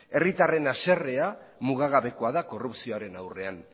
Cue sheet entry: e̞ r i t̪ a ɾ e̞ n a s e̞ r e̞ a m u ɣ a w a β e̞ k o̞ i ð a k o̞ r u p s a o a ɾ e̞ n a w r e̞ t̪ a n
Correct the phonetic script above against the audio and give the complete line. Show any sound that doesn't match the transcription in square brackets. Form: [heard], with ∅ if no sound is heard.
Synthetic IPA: e̞ r i t̪ a [r] e̞ n a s e̞ r e̞ a m u ɣ a [ɣ] a β e̞ k o̞ [a] ð a k o̞ r u p s [i] o a ɾ e̞ n a w r e̞ [∅] a n